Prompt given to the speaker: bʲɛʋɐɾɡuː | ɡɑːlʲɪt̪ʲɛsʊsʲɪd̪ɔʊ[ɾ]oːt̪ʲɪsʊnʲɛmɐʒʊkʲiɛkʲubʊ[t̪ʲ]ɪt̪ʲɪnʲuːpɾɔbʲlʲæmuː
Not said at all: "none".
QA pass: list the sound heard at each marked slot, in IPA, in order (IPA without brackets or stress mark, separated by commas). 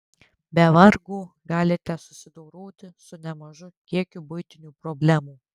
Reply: ɾ, none